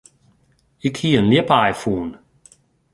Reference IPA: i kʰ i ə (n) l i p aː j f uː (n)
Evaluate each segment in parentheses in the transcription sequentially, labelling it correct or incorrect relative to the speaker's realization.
correct, correct

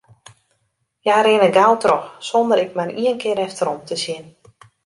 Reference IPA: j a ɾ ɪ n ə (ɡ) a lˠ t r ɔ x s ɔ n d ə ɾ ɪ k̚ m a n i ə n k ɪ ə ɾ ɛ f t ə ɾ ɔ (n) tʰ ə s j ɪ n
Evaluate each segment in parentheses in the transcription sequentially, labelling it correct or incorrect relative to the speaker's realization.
correct, incorrect

